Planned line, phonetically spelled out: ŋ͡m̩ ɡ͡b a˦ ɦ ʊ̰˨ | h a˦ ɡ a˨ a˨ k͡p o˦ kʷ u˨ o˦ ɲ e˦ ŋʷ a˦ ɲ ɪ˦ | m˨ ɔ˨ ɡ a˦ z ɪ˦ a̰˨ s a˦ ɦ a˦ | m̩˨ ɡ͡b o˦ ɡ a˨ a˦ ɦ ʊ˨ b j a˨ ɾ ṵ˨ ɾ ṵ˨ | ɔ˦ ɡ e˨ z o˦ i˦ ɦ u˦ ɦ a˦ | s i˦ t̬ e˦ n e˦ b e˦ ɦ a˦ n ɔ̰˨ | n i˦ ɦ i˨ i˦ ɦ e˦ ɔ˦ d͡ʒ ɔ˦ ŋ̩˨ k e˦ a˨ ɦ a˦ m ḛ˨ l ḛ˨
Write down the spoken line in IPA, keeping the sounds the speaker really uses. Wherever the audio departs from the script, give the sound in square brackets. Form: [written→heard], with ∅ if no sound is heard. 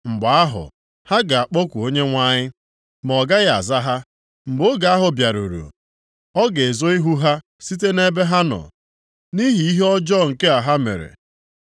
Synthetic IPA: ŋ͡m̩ ɡ͡b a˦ ɦ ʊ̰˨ | h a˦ ɡ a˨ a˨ k͡p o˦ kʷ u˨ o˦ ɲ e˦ ŋʷ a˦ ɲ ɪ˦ | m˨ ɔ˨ ɡ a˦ [z→ɣ] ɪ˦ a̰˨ [s→z] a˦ ɦ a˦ | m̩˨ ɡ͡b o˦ ɡ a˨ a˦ ɦ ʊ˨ b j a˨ ɾ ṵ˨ ɾ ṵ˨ | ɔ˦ ɡ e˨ z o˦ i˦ ɦ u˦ ɦ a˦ | s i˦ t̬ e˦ n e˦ b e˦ ɦ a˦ n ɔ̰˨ | n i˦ ɦ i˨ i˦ ɦ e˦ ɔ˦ d͡ʒ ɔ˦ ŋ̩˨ k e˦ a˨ ɦ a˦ m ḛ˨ [l→ɾ] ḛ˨